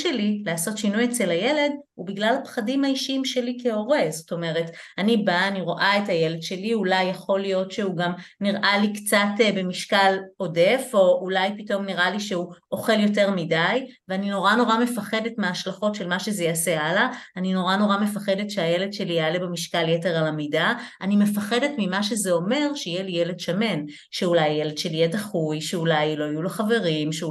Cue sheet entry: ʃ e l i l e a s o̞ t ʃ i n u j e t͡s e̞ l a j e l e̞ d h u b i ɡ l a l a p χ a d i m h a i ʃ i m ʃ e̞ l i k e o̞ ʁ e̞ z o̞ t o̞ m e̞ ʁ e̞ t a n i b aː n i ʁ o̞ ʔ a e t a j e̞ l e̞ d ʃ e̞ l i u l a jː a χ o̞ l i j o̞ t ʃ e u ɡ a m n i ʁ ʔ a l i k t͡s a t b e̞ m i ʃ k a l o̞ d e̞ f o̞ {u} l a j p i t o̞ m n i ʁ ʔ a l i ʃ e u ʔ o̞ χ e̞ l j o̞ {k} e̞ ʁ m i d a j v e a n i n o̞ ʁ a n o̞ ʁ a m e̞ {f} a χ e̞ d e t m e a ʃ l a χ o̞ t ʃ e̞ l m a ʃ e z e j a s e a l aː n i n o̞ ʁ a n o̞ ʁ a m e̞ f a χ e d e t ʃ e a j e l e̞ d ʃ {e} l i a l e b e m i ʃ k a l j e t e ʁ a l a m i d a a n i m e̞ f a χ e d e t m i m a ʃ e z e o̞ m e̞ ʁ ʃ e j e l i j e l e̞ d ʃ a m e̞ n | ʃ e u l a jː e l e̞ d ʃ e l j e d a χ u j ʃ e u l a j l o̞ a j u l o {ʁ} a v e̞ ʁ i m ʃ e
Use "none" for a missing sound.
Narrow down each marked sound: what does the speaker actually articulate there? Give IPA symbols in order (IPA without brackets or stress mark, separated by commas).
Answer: u, t, f, e, χ